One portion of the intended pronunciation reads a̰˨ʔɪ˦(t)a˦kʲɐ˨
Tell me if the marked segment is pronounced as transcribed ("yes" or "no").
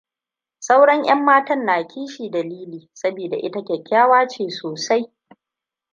yes